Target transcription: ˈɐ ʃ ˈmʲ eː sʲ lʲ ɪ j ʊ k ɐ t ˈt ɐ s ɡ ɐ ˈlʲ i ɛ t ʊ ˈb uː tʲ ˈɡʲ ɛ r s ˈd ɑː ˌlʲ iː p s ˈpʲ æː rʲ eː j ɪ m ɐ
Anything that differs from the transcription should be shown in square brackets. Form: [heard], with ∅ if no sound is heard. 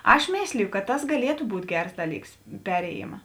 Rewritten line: ˈɐ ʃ ˈmʲ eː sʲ lʲ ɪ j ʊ k ɐ t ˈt ɐ s ɡ ɐ ˈlʲ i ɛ t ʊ ˈb uː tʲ ˈɡʲ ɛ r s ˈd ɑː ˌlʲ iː [k] s ˈpʲ æː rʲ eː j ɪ m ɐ